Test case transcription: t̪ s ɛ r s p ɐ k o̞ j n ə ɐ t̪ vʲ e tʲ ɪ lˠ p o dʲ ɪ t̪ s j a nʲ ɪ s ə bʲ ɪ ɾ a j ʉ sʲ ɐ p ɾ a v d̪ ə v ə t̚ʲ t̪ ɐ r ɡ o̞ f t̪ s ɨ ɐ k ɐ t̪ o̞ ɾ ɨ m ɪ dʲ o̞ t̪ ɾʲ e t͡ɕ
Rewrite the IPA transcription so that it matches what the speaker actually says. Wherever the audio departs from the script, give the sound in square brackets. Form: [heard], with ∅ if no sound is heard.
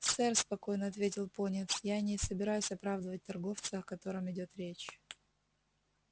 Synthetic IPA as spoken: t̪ s ɛ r s p ɐ k o̞ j n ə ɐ t̪ vʲ e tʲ ɪ lˠ p o [nʲ] ɪ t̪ s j a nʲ ɪ s ə bʲ ɪ ɾ a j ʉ sʲ ɐ p ɾ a v d̪ ə v ə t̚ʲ t̪ ɐ r ɡ o̞ f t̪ s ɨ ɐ k ɐ t̪ o̞ ɾ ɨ m ɪ dʲ o̞ t̪ ɾʲ e t͡ɕ